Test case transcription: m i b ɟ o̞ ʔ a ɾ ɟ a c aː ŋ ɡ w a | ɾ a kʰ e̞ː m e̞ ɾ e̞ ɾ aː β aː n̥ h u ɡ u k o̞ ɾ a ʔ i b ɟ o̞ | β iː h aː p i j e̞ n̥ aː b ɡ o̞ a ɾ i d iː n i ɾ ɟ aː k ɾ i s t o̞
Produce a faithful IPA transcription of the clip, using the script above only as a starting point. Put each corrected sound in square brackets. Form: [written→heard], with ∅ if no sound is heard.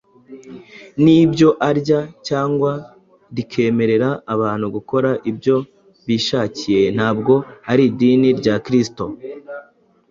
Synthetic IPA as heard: [m→n] i b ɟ o̞ ʔ a ɾ ɟ a c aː ŋ ɡ w a | ɾ [a→i] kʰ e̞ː m e̞ ɾ e̞ ɾ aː β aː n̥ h u ɡ u k o̞ ɾ a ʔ i b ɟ o̞ | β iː [h→ʃ] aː [p→c] i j e̞ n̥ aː b ɡ o̞ a ɾ i d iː n i ɾ ɟ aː k ɾ i s t o̞

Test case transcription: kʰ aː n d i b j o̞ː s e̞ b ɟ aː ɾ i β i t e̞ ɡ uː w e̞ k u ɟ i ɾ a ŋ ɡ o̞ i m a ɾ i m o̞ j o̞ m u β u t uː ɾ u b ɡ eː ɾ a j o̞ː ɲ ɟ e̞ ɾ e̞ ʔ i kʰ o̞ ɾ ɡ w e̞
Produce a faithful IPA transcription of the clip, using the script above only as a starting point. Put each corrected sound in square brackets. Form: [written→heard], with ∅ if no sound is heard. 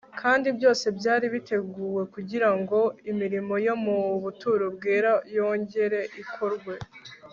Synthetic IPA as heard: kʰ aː n d i b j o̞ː s e̞ b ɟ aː ɾ i β i t e̞ ɡ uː w e̞ k u ɟ i ɾ a ŋ ɡ o̞ i m [a→i] ɾ i m o̞ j o̞ m u β u t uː ɾ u b ɡ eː ɾ a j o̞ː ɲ ɟ e̞ ɾ e̞ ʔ i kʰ o̞ ɾ ɡ w e̞

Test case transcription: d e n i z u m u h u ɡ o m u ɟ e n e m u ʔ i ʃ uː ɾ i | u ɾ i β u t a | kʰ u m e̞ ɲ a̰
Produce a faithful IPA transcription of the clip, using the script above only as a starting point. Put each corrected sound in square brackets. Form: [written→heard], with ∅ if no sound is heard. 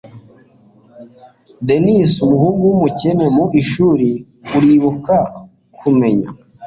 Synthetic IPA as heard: d e n i [z→s] u m u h u ɡ [o→u] m u [ɟ→c] e n e m u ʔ i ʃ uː ɾ i | u ɾ i β u [t→k] a | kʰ u m e̞ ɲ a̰

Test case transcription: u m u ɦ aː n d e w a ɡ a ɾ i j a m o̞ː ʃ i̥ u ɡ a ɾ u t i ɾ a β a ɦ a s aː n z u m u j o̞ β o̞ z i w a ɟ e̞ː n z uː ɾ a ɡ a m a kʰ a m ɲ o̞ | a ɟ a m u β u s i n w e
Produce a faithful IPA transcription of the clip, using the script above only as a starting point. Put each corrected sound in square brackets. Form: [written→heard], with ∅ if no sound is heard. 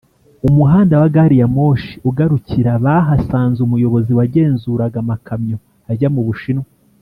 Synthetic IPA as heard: u m u ɦ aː n d [e→a] w a ɡ a ɾ i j a m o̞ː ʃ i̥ u ɡ a ɾ u [t→c] i ɾ a β a ɦ a s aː n z u m u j o̞ β o̞ z i w a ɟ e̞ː n z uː ɾ a ɡ a m a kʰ a m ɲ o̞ | a ɟ a m u β u [s→ʃ] i n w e

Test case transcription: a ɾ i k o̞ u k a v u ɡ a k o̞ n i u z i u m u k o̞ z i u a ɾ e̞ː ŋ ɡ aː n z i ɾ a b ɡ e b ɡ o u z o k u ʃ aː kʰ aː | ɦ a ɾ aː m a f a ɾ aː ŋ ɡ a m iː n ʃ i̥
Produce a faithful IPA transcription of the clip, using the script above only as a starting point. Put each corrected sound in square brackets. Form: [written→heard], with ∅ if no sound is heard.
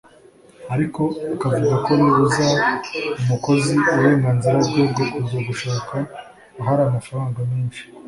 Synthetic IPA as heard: a ɾ i k o̞ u k a v u ɡ a k o̞ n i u z [i→a] u m u k o̞ z i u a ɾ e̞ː ŋ ɡ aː n z i ɾ a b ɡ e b ɡ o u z o [k→ɡ] u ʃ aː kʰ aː | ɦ a ɾ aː m a f a ɾ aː ŋ ɡ a m iː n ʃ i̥

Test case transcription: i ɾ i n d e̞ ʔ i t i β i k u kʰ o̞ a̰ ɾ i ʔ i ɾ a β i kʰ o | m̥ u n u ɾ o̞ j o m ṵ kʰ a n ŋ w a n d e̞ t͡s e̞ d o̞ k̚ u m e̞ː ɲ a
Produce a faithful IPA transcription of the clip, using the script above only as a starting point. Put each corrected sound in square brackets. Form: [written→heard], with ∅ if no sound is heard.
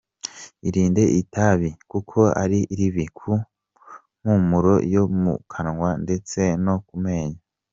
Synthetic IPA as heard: i ɾ [i→iː] n d e̞ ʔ i t [i→a] β i k u kʰ o̞ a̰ ɾ i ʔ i ɾ [a→i] β i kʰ [o→u] | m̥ u [n→m] u ɾ o̞ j o m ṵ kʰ a n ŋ w a n d e̞ t͡s e̞ [d→n] o̞ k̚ u m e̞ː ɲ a

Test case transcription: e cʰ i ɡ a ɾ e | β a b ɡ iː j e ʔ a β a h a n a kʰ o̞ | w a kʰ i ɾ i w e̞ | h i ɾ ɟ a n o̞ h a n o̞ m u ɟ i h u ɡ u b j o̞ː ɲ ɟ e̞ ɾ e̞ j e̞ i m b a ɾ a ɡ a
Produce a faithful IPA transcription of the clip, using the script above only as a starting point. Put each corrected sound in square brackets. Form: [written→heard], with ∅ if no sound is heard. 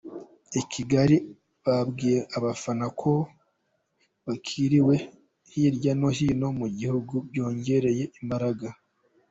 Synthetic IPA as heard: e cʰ i ɡ a ɾ [e→i] | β a b ɡ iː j e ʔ a β a [h→f] a n a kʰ o̞ | [w→β] a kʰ i ɾ i w e̞ | h i ɾ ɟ a n o̞ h [a→i] n o̞ m u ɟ i h u ɡ u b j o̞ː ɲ ɟ e̞ ɾ e̞ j e̞ i m b a ɾ a ɡ a

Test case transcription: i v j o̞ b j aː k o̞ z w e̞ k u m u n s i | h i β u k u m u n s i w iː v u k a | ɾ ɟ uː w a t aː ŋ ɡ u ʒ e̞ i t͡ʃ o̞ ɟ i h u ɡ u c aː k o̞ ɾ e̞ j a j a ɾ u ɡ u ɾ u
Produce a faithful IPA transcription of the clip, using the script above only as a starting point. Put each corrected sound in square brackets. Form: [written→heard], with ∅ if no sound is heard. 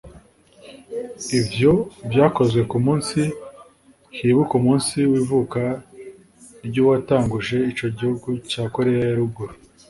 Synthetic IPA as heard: i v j o̞ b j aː k o̞ z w e̞ k u m [u→uː] n s i | h i β u k u m [u→uː] n s i w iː v u k a | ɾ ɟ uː w a t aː ŋ ɡ u ʒ e̞ i t͡ʃ o̞ ɟ i h u ɡ u c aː k o̞ ɾ e̞ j a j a ɾ u ɡ u ɾ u

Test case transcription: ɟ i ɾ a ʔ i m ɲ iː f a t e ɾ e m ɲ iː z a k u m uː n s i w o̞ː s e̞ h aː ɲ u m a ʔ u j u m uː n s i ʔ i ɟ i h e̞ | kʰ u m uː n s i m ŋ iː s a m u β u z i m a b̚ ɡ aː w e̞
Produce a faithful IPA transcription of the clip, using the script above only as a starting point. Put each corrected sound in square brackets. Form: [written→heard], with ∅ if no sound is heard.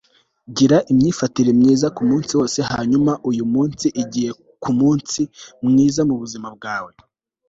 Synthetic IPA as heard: ɟ i ɾ a ʔ i m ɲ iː f a t [e→i] ɾ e m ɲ iː z a k u m uː n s i w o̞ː s e̞ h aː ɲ u m a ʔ u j u m uː n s i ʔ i ɟ i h e̞ | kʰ u m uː n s i m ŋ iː [s→z] a m u β u z i m a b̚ ɡ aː w e̞

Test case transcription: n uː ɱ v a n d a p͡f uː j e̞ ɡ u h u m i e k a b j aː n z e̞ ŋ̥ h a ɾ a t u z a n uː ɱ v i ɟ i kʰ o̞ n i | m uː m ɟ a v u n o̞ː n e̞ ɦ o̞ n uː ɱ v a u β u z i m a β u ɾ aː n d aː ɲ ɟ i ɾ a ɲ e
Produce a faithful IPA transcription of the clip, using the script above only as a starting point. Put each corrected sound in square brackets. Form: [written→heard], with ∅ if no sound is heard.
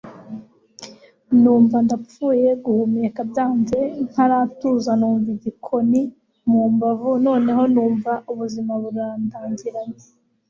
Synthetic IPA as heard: n uː ɱ v a n d a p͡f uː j e̞ ɡ u h u m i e k a b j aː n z e̞ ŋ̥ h a ɾ a t u z a n uː ɱ v i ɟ i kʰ o̞ n i | m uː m [ɟ→b] a v u n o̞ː n e̞ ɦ o̞ n uː ɱ v a u β u z i m a β u ɾ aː n d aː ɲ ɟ i ɾ a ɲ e

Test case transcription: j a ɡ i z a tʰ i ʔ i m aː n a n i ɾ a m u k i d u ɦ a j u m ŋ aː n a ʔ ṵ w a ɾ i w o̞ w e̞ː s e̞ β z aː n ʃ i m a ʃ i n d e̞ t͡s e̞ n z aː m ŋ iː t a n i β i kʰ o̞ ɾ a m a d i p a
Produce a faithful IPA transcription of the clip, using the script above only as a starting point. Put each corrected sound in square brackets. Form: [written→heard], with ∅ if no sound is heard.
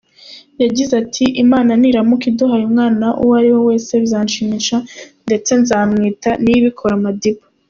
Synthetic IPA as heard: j a [ɡ→ɟ] i z a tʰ i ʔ i m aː n a n i ɾ a m u k i d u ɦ a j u m ŋ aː n a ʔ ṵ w a ɾ i w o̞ w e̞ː s e̞ β z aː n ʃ i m [a→i] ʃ [i→a] n d e̞ t͡s e̞ n z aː m ŋ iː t a n i β i kʰ o̞ ɾ a m a d i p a

